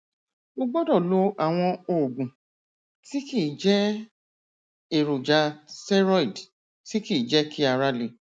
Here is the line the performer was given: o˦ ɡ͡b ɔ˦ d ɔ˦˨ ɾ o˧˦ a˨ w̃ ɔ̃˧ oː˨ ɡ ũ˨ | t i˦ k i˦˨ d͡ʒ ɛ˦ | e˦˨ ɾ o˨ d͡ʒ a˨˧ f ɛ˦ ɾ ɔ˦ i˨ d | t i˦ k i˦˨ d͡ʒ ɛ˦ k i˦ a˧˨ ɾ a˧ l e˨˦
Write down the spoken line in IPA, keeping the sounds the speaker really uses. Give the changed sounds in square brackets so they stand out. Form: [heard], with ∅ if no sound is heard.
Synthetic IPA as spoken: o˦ ɡ͡b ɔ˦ d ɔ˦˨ [l] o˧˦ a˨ w̃ ɔ̃˧ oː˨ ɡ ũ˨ | t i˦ k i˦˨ d͡ʒ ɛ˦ | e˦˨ ɾ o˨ d͡ʒ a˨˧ [s] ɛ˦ ɾ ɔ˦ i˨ d | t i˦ k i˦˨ d͡ʒ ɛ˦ k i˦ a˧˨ ɾ a˧ l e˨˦

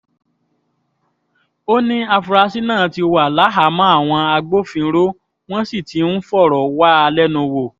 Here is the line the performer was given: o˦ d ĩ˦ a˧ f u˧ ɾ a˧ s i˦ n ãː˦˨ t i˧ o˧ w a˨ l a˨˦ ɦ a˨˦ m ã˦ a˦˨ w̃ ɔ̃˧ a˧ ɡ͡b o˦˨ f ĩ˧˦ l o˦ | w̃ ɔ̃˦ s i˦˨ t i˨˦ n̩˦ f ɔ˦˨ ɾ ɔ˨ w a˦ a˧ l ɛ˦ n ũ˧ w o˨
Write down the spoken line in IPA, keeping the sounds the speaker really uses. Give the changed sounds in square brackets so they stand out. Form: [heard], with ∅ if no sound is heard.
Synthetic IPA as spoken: o˦ [n] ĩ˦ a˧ f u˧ ɾ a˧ s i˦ n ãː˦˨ t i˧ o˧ w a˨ l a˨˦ ɦ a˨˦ m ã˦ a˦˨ w̃ ɔ̃˧ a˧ ɡ͡b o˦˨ f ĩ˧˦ [ɾ] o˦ | w̃ ɔ̃˦ s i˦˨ t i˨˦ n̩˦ f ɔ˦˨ ɾ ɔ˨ w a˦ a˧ l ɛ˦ n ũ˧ w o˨

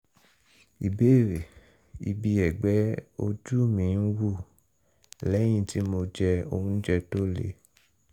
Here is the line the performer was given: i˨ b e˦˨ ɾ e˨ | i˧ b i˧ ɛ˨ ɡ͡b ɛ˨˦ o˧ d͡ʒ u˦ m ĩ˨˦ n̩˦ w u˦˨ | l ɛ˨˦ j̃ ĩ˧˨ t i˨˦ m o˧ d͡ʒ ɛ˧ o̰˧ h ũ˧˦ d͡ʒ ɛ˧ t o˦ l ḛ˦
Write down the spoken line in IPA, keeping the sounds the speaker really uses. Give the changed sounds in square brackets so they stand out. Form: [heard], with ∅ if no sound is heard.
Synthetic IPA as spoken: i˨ b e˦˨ ɾ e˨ | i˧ b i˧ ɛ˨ ɡ͡b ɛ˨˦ o˧ d͡ʒ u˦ m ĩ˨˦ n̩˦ w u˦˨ | l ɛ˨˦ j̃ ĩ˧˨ t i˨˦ m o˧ d͡ʒ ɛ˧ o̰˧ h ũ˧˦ d͡ʒ ɛ˧ t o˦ l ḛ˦

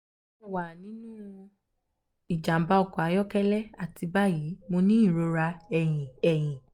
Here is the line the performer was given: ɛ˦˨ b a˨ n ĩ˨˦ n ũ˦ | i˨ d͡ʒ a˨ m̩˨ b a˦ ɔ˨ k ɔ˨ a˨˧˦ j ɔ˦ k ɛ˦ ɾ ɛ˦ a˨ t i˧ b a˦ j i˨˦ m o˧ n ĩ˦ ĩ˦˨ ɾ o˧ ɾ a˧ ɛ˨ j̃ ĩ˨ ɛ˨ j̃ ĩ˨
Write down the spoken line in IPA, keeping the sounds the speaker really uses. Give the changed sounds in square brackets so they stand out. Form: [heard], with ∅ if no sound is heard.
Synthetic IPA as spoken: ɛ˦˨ [w] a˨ n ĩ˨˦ n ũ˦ | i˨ d͡ʒ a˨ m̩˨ b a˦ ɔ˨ k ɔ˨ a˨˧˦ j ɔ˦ k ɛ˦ [l] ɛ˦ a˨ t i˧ b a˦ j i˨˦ m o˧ n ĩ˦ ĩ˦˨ ɾ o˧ ɾ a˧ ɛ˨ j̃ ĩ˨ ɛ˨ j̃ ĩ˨

